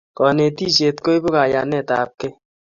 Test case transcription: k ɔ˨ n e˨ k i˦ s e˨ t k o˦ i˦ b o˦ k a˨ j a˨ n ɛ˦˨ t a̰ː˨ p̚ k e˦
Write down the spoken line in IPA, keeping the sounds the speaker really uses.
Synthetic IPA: k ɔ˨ n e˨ t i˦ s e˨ t k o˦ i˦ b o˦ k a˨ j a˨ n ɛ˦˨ t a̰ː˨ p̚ k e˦